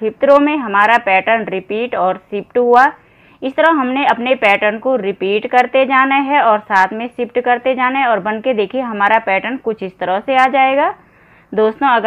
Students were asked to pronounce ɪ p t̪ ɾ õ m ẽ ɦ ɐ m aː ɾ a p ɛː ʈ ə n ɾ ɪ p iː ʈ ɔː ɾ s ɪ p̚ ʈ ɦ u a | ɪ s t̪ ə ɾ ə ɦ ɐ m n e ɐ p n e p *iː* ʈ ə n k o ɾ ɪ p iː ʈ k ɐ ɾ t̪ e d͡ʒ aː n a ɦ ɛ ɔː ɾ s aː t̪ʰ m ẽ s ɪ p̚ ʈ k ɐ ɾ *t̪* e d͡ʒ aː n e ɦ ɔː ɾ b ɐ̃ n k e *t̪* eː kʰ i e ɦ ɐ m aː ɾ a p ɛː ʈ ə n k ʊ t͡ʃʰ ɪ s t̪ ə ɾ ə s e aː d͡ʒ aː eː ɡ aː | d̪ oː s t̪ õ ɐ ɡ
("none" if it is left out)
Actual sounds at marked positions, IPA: ɛː, t̪, d̪

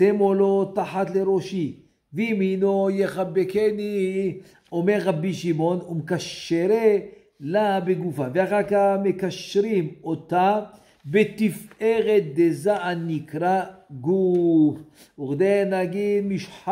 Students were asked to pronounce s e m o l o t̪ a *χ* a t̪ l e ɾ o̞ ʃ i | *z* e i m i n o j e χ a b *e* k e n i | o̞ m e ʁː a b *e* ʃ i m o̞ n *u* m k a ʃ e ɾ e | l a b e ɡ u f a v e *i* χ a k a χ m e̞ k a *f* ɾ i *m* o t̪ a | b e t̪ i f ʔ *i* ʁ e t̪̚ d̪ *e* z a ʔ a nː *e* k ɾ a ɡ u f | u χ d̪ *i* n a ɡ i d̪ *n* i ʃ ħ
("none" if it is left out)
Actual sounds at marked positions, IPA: ħ, v, e, i, u, a, ʃ, m, e, e, i, e, m

